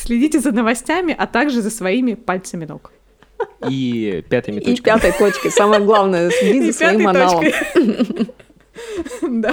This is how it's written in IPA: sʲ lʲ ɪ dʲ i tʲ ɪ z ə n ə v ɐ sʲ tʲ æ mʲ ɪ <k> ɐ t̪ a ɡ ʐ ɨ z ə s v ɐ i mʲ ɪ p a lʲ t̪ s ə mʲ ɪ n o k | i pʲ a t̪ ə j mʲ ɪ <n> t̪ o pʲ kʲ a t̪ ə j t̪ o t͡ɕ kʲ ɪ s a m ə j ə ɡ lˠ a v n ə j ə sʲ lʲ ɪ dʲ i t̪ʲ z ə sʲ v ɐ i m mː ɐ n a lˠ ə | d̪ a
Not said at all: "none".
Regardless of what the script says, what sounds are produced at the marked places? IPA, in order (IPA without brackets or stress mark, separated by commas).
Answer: ʔ, none